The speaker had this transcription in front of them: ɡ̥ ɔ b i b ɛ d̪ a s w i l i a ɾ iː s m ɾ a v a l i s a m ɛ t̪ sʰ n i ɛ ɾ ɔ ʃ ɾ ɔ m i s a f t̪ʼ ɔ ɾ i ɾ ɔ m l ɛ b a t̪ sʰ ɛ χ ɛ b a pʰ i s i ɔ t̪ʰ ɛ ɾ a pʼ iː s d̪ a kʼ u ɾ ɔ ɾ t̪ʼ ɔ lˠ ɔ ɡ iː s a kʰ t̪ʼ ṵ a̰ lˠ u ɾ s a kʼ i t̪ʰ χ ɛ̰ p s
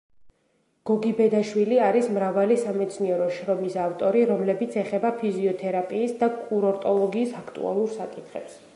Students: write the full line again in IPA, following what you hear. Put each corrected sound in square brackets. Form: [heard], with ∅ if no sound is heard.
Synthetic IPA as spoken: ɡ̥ ɔ [ɡ] i b ɛ d̪ a [ʃ] w i l i a ɾ [i] s m ɾ a v a l i s a m ɛ t̪ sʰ n i ɛ ɾ ɔ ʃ ɾ ɔ m i s a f t̪ʼ ɔ ɾ i ɾ ɔ m l ɛ b [i] t̪ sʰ ɛ χ ɛ b a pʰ i [z] i ɔ t̪ʰ ɛ ɾ a pʼ iː s d̪ a kʼ u ɾ ɔ ɾ t̪ʼ ɔ lˠ ɔ ɡ iː s a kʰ t̪ʼ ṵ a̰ lˠ u ɾ s a kʼ i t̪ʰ χ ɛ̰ p s